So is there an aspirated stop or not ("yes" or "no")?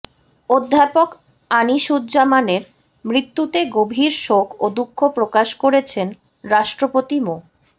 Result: yes